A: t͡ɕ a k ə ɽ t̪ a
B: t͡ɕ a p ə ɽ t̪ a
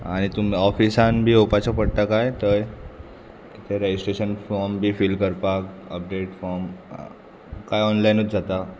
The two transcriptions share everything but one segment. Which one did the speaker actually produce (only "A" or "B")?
B